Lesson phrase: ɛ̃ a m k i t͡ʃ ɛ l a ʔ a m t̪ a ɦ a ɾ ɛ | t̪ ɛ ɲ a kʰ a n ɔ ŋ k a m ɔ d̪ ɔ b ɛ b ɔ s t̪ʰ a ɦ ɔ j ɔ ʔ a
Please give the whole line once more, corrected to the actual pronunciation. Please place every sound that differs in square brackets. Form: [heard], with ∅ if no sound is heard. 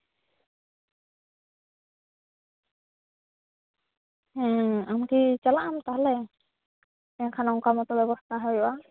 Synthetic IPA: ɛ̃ a m k i t͡ʃ [a] l a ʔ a m t̪ a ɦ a [l] ɛ | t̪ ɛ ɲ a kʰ a n ɔ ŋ k a m ɔ [t̪] ɔ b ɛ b ɔ s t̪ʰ a ɦ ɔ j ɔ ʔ a